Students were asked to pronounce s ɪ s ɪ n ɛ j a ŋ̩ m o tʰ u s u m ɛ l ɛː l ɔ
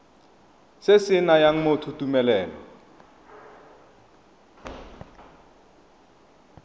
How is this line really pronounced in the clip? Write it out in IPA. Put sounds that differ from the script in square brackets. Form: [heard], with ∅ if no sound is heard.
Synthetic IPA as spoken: s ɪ s ɪ n [a] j a ŋ̩ m o tʰ u [t] u m ɛ l ɛː l ɔ